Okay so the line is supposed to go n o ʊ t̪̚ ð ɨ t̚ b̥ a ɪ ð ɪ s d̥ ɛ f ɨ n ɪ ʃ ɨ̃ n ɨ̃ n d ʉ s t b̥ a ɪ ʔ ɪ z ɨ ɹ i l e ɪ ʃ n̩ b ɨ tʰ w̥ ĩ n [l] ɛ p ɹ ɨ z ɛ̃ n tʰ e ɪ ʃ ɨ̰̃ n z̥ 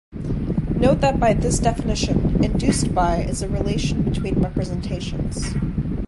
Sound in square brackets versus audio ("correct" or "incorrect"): incorrect